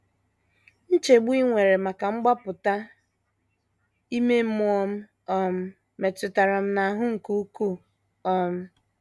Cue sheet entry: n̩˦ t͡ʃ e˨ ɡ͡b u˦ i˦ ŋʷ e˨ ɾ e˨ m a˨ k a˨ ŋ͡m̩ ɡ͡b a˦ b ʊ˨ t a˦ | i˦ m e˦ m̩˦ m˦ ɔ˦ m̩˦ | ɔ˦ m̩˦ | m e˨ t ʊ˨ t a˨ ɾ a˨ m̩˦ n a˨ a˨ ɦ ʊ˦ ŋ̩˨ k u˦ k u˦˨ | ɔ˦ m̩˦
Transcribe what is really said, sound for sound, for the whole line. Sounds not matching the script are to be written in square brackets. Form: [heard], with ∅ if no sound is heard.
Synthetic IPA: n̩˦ t͡ʃ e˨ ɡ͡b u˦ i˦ ŋʷ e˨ ɾ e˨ m a˨ k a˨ ŋ͡m̩ ɡ͡b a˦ [p] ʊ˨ t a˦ | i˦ m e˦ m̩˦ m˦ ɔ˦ m̩˦ | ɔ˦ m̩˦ | m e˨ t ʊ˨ t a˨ ɾ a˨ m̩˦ n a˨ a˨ ɦ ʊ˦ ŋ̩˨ k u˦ k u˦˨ | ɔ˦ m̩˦